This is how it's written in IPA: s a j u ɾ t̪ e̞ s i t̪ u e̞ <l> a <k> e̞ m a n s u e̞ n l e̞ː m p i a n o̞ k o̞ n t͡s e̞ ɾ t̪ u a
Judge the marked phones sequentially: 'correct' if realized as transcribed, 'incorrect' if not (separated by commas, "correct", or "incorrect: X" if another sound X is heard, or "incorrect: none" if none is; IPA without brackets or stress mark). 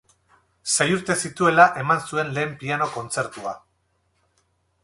correct, incorrect: ʔ